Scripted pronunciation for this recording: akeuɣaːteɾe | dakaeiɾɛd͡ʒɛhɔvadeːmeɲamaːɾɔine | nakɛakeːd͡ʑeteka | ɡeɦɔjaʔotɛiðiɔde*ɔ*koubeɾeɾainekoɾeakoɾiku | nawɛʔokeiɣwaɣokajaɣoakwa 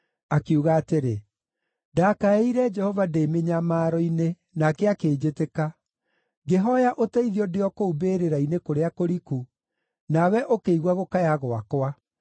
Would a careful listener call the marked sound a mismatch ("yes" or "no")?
no